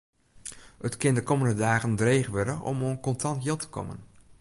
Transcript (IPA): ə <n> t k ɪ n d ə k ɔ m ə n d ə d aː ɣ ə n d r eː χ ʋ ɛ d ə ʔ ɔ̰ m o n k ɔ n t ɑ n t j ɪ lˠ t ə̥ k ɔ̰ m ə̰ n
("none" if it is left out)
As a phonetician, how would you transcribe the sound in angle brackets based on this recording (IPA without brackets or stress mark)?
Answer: none